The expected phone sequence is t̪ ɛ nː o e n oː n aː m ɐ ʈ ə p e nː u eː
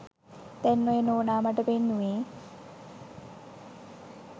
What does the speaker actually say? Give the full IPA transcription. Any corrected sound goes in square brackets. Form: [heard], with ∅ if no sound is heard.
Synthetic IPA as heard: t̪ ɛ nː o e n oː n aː m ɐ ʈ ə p e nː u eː

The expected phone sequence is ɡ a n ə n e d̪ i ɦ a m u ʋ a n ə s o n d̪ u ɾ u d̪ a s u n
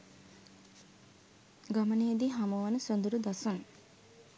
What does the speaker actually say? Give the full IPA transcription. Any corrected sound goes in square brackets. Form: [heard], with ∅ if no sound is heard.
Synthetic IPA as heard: ɡ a [m] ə n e d̪ i ɦ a m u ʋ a n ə s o n d̪ u ɾ u d̪ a s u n

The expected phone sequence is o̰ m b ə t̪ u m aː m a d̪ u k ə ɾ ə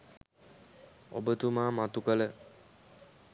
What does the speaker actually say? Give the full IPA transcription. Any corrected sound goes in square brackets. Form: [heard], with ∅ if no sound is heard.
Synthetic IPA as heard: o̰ [∅] b ə t̪ u m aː m a [t̪] u k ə [l] ə

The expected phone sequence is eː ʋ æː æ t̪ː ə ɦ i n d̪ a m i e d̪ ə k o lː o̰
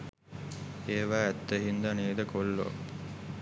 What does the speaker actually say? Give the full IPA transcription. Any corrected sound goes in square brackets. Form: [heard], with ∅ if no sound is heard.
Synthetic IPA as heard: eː ʋ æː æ t̪ː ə ɦ i n d̪ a [n] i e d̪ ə k o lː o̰

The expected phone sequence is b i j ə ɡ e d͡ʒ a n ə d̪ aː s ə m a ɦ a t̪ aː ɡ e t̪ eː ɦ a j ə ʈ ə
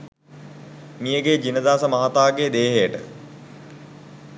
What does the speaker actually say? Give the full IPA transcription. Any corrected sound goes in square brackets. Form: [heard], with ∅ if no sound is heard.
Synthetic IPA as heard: [m] i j ə ɡ e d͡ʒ [i] n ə d̪ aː s ə m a ɦ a t̪ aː ɡ e [d̪] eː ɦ [e] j ə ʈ ə

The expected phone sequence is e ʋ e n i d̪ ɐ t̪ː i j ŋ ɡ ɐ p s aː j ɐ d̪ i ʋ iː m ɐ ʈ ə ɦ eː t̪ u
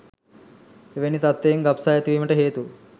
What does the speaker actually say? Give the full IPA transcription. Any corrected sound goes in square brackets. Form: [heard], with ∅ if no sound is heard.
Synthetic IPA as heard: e ʋ e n i [t̪] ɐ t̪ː [e] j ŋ ɡ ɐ p s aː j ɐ [t̪] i ʋ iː m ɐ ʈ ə ɦ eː t̪ u

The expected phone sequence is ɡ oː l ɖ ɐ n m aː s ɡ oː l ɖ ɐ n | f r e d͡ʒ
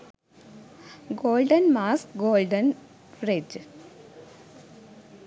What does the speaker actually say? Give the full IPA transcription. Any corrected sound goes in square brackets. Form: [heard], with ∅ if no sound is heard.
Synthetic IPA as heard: ɡ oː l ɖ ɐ n m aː s ɡ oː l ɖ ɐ n | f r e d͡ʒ

